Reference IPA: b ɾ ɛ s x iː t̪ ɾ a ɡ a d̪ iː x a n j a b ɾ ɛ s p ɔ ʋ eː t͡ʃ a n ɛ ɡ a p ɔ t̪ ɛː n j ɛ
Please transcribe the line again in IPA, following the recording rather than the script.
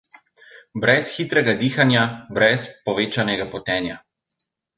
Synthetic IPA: b ɾ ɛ s x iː t̪ ɾ ɛ ɡ a d̪ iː x a n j a b ɾ ɛ s p ɔ ʋ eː t͡ʃ a n ɛ ɡ a p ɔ t̪ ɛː n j a